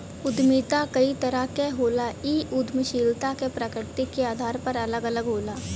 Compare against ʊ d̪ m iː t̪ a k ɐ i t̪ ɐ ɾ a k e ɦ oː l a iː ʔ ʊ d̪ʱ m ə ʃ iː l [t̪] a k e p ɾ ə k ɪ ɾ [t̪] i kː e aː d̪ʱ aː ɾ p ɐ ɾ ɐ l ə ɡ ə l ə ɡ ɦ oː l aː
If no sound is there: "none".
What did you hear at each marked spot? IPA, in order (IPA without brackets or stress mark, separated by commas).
t̪, t̪